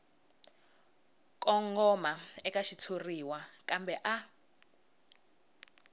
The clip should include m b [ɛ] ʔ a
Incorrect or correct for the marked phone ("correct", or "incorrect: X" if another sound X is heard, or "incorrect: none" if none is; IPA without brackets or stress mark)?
correct